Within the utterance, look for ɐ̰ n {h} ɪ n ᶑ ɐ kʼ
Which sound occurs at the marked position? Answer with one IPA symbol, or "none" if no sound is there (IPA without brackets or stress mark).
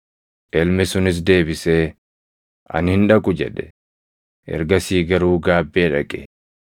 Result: h